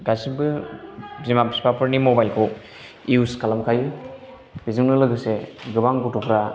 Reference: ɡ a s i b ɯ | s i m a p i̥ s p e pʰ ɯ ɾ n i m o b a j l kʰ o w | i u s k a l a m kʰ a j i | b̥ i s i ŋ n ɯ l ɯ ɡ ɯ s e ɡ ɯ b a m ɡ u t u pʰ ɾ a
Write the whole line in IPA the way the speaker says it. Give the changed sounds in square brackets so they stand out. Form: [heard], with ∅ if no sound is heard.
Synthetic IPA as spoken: ɡ a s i b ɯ | [z] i m a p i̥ s p [a] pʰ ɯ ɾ n i m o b a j l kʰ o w | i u s k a l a m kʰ a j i | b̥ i [z] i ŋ n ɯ l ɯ ɡ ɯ s e ɡ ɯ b a [ŋ] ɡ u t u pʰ ɾ a